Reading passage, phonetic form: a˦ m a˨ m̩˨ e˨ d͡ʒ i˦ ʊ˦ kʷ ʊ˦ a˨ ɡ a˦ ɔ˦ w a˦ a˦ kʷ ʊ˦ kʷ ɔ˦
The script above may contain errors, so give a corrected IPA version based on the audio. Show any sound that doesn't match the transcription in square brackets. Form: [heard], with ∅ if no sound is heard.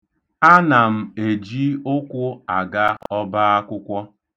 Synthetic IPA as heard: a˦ [n] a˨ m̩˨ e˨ d͡ʒ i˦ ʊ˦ kʷ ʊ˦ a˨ ɡ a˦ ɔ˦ [b] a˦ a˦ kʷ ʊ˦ kʷ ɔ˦

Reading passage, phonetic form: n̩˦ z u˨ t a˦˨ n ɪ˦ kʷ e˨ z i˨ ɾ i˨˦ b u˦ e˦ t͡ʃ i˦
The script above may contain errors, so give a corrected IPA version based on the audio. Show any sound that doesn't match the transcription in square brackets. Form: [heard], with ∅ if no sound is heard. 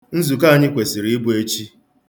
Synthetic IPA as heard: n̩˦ z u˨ [k] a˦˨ [ɲ] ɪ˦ kʷ e˨ [s] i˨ ɾ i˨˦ b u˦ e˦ t͡ʃ i˦

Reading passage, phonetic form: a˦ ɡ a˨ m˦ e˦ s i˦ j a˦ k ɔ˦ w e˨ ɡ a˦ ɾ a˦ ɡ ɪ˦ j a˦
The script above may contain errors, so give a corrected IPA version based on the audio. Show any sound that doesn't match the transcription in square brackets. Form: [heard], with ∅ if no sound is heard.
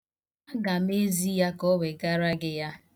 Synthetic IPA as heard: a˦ ɡ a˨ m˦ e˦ [z] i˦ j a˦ k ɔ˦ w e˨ ɡ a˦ ɾ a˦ ɡ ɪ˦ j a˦

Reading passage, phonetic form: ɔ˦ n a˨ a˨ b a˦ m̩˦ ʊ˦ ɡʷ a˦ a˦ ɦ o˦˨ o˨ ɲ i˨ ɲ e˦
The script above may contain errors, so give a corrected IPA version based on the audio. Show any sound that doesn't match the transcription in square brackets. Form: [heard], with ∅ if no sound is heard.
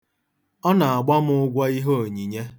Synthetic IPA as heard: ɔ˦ n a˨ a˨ [ɡ͡b] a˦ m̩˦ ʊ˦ ɡʷ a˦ [i˦] ɦ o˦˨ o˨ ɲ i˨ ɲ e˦

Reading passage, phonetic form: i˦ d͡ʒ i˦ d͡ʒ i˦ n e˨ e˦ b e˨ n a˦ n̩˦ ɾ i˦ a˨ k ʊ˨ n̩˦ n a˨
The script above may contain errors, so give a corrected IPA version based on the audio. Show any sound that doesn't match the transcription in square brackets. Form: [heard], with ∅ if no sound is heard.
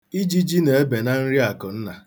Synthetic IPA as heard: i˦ d͡ʒ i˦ d͡ʒ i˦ n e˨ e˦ b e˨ n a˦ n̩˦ ɾ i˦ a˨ k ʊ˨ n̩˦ n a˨

